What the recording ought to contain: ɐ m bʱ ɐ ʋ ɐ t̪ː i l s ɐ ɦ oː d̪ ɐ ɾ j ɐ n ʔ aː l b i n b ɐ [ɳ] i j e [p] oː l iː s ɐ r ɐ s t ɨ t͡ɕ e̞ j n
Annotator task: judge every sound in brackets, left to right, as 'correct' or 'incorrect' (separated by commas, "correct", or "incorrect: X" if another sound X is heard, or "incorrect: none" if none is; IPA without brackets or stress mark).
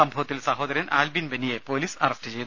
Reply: incorrect: n, correct